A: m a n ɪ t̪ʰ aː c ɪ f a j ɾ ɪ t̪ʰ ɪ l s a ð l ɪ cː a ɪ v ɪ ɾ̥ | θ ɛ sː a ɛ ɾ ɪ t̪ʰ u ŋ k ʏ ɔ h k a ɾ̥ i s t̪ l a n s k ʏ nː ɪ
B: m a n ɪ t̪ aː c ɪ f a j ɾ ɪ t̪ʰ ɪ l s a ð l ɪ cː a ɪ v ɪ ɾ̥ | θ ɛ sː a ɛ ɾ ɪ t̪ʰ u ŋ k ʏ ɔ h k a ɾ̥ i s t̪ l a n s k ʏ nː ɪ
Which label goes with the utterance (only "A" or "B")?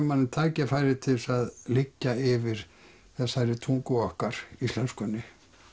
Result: A